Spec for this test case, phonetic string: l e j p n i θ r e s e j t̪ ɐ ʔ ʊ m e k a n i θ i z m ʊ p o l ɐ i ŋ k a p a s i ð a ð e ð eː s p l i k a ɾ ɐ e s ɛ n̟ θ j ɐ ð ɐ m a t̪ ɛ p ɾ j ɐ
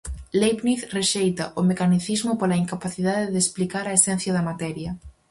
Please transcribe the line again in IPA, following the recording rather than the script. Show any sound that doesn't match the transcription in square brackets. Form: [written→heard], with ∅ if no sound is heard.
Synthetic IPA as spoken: l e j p n i θ r e [s→ʃ] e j t̪ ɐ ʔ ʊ m e k a n i θ i z m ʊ p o l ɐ i ŋ k a p a [s→θ] i ð a ð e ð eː s p l i k a ɾ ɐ e s ɛ n̟ θ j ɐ ð ɐ m a t̪ ɛ [p→∅] ɾ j ɐ